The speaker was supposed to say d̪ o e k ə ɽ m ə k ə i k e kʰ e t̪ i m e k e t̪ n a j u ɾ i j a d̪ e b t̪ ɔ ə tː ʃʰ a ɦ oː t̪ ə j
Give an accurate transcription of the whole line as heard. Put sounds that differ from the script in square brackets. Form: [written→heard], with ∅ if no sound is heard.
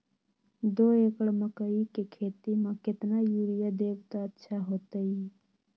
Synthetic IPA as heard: d̪ o e k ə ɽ m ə k ə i k e kʰ e t̪ i m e k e t̪ n a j u ɾ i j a d̪ e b t̪ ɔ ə tː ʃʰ a ɦ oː t̪ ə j

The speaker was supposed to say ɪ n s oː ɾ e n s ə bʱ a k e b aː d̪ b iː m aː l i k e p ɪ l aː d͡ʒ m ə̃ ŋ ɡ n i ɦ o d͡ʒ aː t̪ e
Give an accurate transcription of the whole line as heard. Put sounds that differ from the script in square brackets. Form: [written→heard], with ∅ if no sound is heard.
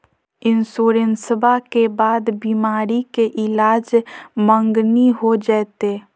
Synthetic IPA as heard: ɪ n s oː ɾ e n s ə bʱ a k e b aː d̪ b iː m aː [l→ɾ] i k e [p→ʔ] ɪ l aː d͡ʒ m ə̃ ŋ ɡ n i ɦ o d͡ʒ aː t̪ e

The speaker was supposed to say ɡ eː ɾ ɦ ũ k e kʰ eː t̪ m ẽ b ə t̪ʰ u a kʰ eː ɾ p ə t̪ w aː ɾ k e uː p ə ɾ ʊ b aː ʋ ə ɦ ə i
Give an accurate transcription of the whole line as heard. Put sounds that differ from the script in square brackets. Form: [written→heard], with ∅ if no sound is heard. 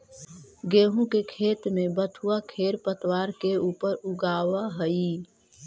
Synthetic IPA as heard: ɡ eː [ɾ→∅] ɦ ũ k e kʰ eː t̪ m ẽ b ə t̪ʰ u a kʰ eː ɾ p ə t̪ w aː ɾ k e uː p ə ɾ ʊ [b→ɡ] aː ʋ [ə→a] ɦ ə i

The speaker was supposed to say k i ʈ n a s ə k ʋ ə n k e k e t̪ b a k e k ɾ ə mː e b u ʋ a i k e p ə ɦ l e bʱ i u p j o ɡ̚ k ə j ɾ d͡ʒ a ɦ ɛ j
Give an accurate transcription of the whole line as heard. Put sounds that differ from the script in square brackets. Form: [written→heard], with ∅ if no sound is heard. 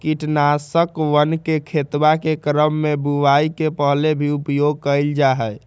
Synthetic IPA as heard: k i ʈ n a s ə k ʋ ə n k e [k→kʰ] e t̪ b a k e k ɾ ə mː e b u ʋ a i k e p ə ɦ l e bʱ i u p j o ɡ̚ k ə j [ɾ→l] d͡ʒ a ɦ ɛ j

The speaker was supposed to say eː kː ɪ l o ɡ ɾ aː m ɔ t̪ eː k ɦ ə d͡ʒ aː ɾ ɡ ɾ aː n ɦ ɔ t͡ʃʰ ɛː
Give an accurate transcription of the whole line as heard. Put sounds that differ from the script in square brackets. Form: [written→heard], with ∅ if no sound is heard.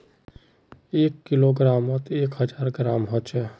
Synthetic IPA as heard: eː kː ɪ l o ɡ ɾ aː m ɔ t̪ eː k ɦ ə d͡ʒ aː ɾ ɡ ɾ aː [n→m] ɦ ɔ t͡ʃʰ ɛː

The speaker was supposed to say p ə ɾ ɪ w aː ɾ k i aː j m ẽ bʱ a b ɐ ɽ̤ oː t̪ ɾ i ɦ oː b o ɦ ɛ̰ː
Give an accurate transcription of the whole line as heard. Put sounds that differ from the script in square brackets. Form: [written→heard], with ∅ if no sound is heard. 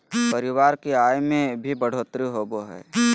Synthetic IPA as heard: p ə ɾ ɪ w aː ɾ k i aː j m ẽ bʱ [a→i] b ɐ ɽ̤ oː t̪ ɾ i ɦ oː b o ɦ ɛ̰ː

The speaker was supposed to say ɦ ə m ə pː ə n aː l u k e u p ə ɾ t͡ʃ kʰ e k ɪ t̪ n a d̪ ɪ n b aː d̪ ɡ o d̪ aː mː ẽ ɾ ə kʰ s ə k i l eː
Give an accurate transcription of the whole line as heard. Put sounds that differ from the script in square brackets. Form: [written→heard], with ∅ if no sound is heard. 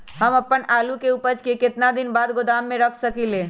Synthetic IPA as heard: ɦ ə m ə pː ə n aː l u k e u p ə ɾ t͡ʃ [kʰ→k] e k ɪ t̪ n a d̪ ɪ n b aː d̪ ɡ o d̪ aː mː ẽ ɾ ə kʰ s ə k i l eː

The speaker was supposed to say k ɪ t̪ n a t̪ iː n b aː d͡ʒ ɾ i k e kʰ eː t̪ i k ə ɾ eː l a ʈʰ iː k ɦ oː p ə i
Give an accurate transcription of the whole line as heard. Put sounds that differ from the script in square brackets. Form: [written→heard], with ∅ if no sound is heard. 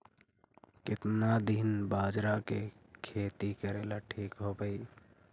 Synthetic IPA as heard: k ɪ t̪ n a [t̪→d̪] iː n b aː d͡ʒ ɾ [i→a] k e kʰ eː t̪ i k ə ɾ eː l a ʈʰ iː k ɦ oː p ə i

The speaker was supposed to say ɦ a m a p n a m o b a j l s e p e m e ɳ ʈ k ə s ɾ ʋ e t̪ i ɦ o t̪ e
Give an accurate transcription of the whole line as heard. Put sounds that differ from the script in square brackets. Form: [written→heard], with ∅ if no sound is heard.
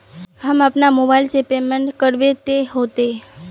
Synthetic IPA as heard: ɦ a m a p n a m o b a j l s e p e m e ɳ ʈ k ə [s→∅] ɾ ʋ e t̪ [i→e] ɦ o t̪ e

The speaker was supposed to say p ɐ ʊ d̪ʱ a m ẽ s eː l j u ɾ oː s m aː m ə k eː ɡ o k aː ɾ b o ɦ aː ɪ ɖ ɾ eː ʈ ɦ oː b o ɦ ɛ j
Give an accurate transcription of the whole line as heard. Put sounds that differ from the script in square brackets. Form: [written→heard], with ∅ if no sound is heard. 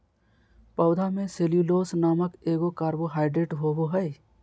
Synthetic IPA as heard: p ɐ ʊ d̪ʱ a m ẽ s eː l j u [ɾ→l] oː s [m→n] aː m ə k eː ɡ o k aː ɾ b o ɦ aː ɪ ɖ ɾ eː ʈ ɦ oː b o ɦ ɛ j

